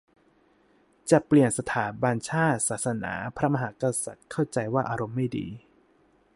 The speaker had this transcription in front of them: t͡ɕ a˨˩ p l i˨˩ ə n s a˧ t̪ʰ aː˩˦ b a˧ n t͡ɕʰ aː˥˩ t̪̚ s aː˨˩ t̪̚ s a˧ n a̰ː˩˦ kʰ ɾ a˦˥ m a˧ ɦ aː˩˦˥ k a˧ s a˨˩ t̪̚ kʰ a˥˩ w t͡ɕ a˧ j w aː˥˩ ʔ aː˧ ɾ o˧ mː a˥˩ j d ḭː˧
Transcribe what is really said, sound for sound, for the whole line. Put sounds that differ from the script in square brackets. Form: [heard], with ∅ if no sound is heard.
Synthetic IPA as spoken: t͡ɕ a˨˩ p l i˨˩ ə n s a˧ t̪ʰ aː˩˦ b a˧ n t͡ɕʰ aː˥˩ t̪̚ s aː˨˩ t̪̚ s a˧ n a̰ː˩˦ [pʰ] ɾ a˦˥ m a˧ ɦ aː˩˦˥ k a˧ s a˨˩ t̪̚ kʰ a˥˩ w t͡ɕ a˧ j w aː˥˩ ʔ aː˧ ɾ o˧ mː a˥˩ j d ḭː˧